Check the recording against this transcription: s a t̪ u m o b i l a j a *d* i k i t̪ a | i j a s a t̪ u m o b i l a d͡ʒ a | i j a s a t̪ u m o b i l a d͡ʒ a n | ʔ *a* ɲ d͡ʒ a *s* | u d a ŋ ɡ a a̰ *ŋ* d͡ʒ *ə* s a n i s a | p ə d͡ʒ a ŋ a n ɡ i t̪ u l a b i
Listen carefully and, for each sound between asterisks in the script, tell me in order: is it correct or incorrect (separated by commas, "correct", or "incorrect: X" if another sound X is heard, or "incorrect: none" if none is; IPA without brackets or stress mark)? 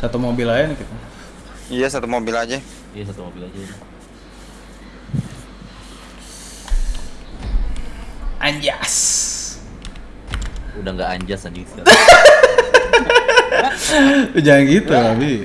incorrect: n, correct, correct, incorrect: ɲ, incorrect: a